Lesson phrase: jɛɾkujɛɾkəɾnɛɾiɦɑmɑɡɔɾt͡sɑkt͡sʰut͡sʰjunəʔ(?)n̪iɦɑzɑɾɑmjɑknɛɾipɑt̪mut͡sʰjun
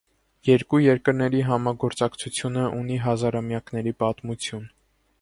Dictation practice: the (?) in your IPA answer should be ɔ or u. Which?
u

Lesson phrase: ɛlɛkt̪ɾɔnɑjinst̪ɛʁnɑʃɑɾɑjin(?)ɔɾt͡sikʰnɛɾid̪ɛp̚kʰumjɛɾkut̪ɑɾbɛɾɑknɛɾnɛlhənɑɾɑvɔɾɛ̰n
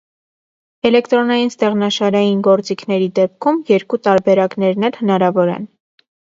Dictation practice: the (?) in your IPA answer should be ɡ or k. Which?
ɡ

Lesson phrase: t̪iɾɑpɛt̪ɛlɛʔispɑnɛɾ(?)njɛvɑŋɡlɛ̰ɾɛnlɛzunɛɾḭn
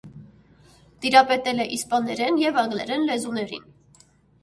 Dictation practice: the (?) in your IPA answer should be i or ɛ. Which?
ɛ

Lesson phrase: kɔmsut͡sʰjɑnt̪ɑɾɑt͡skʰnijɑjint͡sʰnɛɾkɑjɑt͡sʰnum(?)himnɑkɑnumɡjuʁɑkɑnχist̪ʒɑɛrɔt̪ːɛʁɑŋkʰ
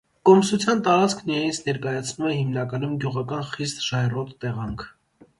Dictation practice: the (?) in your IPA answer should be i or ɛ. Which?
ɛ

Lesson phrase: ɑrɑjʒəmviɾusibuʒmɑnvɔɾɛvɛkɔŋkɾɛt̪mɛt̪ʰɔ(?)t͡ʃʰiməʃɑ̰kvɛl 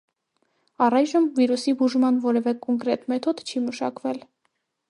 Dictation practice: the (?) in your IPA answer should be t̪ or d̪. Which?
d̪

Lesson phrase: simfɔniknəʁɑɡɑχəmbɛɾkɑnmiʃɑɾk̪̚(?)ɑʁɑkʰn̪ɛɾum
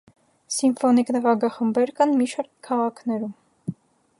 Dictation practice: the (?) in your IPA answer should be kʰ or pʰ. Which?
kʰ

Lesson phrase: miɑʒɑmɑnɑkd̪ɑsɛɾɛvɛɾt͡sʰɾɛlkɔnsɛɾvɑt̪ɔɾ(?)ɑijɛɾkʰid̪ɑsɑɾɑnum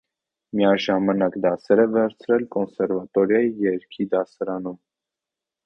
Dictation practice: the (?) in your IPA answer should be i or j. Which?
j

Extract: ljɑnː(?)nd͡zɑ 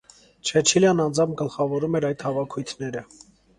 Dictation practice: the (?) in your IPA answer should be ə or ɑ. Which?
ɑ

